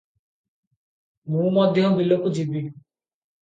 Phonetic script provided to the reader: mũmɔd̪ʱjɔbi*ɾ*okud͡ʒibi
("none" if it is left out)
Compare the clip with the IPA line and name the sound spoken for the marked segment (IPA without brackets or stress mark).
l